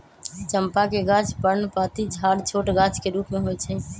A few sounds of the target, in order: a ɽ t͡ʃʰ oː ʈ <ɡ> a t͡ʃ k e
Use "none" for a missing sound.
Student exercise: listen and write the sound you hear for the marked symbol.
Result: ɡ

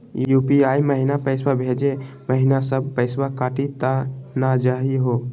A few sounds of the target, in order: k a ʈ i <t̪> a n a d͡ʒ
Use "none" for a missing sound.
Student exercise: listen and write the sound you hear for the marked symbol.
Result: t̪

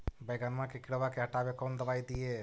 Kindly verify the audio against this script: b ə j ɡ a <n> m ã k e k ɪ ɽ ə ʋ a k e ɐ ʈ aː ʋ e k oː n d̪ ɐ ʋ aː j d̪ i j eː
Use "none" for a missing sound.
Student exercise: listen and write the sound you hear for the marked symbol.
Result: n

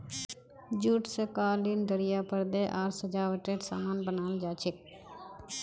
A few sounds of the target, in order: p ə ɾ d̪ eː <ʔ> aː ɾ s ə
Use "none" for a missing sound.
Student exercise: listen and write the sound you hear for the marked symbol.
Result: ʔ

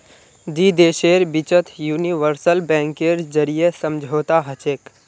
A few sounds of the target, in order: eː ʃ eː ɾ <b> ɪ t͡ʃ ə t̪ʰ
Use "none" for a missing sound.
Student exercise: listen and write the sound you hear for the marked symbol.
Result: b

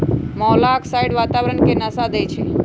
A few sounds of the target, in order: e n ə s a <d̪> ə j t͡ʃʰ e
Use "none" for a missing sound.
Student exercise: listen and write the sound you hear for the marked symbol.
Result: d̪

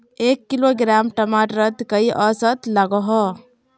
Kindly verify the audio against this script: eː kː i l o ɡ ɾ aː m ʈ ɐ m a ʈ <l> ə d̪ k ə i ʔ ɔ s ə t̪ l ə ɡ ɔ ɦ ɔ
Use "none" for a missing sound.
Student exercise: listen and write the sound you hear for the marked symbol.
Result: ɾ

